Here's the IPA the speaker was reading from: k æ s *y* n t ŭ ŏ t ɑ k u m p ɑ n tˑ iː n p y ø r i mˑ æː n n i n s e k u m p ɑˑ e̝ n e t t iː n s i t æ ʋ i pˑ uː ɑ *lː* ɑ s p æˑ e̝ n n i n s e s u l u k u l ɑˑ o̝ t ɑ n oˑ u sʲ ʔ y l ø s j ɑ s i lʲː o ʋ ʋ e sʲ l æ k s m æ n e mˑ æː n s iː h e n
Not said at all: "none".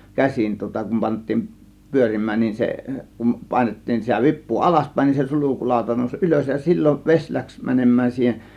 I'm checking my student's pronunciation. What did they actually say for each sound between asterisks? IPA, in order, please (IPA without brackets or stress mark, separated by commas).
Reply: i, l